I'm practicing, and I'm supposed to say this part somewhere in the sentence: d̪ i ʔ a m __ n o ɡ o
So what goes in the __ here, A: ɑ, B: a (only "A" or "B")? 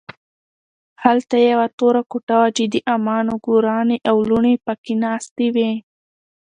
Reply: A